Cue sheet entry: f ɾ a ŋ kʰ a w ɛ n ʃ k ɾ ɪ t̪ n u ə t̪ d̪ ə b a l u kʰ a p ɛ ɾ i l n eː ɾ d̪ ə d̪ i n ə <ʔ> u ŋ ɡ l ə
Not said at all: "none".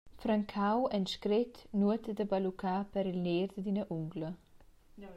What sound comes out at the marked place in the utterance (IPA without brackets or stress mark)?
ʔ